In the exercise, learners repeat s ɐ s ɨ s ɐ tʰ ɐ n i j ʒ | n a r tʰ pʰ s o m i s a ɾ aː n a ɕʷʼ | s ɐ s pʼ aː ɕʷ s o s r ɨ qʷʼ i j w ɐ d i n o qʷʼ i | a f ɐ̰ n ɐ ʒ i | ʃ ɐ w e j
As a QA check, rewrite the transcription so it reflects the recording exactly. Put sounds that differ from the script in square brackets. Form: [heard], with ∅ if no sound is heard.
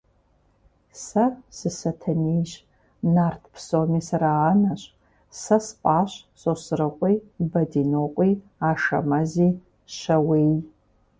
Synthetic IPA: s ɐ s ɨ s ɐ tʰ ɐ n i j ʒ | n a r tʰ pʰ s o m i s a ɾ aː n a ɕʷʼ | s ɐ s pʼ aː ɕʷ s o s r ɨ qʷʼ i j [b] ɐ d i n o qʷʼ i | a [ʂ] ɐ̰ [m] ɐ [z] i | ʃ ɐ w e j

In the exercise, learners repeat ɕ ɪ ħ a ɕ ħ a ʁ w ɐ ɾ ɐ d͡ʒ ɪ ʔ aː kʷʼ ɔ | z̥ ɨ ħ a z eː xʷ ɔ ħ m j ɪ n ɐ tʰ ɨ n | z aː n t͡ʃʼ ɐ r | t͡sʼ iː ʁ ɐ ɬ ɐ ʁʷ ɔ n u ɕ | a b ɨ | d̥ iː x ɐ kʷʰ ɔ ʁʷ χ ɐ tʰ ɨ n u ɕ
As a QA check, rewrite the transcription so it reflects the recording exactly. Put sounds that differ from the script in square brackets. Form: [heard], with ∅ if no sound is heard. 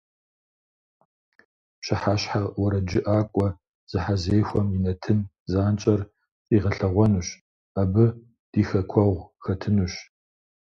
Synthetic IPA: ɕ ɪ ħ a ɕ ħ a ʁ w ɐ ɾ ɐ d͡ʒ ɪ ʔ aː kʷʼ ɔ | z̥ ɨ ħ a z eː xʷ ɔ [∅] m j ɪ n ɐ tʰ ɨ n | z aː n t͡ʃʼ ɐ r | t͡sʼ iː ʁ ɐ ɬ ɐ ʁʷ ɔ n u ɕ | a b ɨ | d̥ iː x ɐ kʷʰ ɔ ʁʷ [x] ɐ tʰ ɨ n u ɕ

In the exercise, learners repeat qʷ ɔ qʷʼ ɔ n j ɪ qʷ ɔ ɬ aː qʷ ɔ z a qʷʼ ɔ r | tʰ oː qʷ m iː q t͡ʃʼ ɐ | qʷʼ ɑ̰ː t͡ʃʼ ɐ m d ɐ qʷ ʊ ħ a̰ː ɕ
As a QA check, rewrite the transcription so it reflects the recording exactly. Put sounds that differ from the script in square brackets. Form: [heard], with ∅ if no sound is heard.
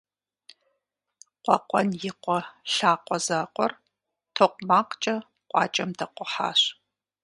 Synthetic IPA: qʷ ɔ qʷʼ ɔ n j ɪ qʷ ɔ ɬ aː qʷ ɔ z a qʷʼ ɔ r | tʰ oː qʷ m [aː] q t͡ʃʼ ɐ | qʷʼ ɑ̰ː t͡ʃʼ ɐ m d ɐ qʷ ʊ ħ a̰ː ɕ

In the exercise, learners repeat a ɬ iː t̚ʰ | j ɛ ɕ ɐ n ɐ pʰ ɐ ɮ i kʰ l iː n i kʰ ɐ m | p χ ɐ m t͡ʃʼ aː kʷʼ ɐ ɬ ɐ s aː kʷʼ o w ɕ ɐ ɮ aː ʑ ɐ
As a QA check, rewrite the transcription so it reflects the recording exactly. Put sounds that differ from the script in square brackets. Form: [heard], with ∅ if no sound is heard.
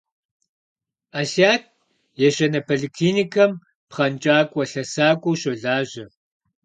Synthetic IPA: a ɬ [aː] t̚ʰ | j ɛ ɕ ɐ n ɐ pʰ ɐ ɮ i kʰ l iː n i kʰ ɐ m | p χ ɐ [n] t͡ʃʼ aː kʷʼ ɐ ɬ ɐ s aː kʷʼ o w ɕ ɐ ɮ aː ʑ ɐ

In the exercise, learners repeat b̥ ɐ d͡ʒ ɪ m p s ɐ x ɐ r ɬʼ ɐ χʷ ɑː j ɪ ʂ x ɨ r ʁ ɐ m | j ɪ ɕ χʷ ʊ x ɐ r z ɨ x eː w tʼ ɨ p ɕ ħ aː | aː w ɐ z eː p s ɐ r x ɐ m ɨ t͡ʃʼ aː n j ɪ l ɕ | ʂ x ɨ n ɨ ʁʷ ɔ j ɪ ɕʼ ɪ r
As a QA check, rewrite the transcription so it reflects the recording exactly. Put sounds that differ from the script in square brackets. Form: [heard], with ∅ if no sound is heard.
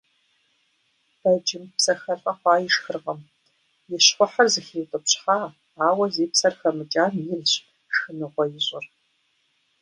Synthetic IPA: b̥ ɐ d͡ʒ ɪ m p s ɐ x ɐ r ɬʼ ɐ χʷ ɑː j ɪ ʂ x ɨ r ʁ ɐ m | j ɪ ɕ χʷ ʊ [ħ] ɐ r z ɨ x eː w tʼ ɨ p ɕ ħ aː | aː w ɐ z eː p s ɐ r x ɐ m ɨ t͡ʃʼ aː n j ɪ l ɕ | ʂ x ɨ n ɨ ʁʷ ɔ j ɪ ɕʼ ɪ r

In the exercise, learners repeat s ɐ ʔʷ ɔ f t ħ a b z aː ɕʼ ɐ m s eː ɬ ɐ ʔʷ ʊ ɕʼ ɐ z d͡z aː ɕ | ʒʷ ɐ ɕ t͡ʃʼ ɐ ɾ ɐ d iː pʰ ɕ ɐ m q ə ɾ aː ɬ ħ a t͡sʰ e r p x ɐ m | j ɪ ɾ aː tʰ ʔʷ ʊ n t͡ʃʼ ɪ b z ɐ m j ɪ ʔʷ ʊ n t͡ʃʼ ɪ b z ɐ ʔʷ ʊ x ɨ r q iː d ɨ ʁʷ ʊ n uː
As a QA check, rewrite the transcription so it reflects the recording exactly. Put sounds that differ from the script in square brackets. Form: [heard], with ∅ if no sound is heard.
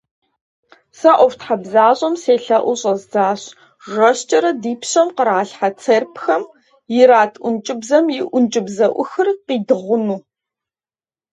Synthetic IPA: s ɐ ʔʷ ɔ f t ħ a b z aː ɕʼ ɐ m s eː ɬ ɐ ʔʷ ʊ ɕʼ ɐ z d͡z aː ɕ | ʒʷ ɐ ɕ t͡ʃʼ ɐ ɾ ɐ d iː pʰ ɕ ɐ m q ə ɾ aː ɬ ħ a t͡sʰ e r p x ɐ m | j ɪ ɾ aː tʰ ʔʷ ʊ n t͡ʃʼ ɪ b z ɐ m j ɪ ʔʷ ʊ n t͡ʃʼ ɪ b z ɐ ʔʷ ʊ x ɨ r q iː d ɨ ʁʷ ʊ n uː

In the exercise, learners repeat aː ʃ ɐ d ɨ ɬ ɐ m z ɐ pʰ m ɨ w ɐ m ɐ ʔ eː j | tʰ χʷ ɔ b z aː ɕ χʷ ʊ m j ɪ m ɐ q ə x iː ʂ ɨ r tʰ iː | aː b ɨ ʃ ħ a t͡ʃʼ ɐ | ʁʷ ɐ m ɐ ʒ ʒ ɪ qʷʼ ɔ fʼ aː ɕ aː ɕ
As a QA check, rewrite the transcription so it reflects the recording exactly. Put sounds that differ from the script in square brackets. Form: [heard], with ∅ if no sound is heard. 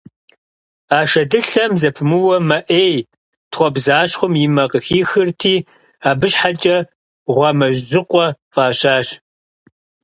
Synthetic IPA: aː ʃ ɐ d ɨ ɬ ɐ m z ɐ pʰ m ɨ w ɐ m ɐ ʔ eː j | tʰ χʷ ɔ b z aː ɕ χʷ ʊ m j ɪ m ɐ q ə x iː [x] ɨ r tʰ iː | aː b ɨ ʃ ħ a t͡ʃʼ ɐ | ʁʷ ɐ m ɐ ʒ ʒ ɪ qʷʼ ɔ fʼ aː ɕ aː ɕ

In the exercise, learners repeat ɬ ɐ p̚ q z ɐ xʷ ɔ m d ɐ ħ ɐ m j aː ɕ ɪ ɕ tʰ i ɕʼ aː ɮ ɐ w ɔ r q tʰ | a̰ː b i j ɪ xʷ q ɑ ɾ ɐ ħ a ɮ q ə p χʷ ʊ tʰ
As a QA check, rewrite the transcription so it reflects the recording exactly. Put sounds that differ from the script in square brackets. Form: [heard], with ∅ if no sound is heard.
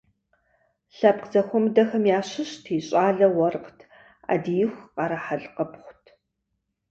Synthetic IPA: ɬ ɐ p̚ q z ɐ xʷ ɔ m d ɐ [x] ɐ m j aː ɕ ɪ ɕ tʰ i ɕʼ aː ɮ ɐ w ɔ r q tʰ | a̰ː [d] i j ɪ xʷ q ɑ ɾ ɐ ħ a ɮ q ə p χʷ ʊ tʰ

